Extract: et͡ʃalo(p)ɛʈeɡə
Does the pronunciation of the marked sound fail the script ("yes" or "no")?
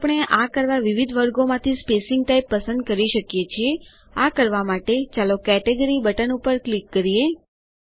yes